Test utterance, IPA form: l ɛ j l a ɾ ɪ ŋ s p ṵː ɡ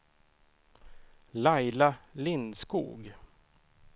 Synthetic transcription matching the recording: l a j l a l ɪ n s k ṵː ɡ